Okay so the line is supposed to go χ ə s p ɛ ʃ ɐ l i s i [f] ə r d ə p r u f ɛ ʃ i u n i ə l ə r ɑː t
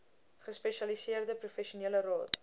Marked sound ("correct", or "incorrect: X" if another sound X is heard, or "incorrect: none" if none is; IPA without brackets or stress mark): incorrect: none